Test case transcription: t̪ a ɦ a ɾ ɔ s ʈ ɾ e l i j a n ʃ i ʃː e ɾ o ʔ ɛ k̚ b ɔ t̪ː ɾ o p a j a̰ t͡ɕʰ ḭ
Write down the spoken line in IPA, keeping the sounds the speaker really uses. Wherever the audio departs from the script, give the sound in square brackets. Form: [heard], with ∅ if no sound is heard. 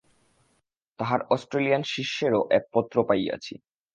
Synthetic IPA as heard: t̪ a ɦ a ɾ ɔ s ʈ ɾ e l i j a n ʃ i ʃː e ɾ o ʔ ɛ k̚ [p] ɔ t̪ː ɾ o p a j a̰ t͡ɕʰ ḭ